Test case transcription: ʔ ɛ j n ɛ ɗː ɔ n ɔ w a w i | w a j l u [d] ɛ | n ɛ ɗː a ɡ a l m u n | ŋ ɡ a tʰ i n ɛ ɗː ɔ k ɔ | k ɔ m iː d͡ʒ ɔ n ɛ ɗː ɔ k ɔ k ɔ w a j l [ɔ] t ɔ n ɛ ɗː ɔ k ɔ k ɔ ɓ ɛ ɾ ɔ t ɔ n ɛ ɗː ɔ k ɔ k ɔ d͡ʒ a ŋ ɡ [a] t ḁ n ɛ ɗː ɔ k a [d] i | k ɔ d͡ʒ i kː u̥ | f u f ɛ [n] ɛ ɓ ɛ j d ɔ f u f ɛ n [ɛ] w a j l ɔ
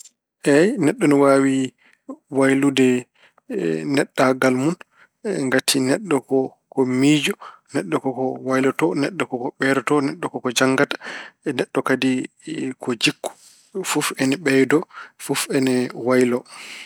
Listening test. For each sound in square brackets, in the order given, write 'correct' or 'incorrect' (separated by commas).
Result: correct, correct, correct, correct, correct, correct